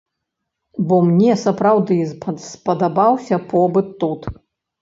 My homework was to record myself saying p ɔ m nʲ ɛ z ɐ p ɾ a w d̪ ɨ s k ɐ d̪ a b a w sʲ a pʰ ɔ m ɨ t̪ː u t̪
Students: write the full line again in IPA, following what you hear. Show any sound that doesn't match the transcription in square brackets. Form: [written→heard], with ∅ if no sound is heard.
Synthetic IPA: [p→b] ɔ m nʲ ɛ [z→s] ɐ p ɾ a w d̪ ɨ s [k→p] ɐ d̪ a b a w sʲ [a→ɐ] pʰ ɔ [m→b] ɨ t̪ː u t̪